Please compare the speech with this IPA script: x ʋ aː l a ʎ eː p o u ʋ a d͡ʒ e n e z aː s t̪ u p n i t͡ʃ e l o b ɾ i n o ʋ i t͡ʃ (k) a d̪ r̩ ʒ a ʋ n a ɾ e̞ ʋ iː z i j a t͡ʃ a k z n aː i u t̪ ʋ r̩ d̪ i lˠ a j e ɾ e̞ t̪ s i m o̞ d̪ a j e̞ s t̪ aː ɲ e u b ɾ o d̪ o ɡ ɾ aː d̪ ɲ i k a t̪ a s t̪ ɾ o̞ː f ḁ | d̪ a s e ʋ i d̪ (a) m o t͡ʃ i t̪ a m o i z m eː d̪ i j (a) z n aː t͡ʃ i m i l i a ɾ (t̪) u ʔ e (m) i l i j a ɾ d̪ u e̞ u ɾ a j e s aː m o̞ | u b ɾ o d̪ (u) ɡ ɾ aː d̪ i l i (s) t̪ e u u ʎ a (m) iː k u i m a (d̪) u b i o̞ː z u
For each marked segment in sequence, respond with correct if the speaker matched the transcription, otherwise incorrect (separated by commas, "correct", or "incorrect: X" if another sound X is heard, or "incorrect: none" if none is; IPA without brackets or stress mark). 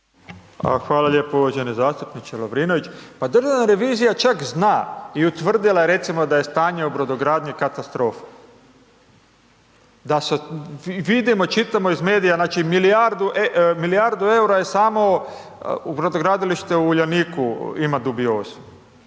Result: incorrect: p, incorrect: i, correct, incorrect: d̪, correct, incorrect: o, incorrect: ʃ, incorrect: n, correct